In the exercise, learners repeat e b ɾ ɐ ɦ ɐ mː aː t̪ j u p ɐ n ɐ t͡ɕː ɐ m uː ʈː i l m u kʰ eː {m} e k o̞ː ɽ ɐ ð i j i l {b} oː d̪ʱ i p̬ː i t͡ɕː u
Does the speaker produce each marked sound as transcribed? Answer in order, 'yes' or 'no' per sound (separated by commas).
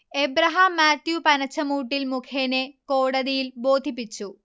no, yes